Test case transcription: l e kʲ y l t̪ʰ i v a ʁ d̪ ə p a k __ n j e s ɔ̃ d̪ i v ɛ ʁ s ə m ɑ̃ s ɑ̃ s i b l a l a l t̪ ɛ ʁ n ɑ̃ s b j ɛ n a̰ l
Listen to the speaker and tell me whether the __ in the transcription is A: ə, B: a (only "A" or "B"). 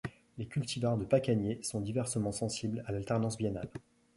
B